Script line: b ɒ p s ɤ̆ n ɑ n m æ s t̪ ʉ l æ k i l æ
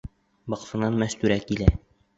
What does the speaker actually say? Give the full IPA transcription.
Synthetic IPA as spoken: b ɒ q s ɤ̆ n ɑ n m æ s t̪ ʉ ɾ æ k i l æ